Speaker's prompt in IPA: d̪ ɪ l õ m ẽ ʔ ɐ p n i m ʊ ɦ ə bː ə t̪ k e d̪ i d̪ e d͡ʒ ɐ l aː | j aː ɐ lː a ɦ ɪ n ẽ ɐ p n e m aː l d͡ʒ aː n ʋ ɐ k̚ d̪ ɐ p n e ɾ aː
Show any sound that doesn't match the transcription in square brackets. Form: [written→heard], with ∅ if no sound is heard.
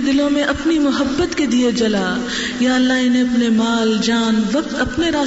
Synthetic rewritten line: d̪ ɪ l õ m ẽ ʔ ɐ p n i m ʊ ɦ ə bː ə t̪ k e d̪ i [d̪→∅] e d͡ʒ ɐ l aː | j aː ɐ lː a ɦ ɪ n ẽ ɐ p n e m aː l d͡ʒ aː n ʋ ɐ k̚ [d̪→t̪] ɐ p n e ɾ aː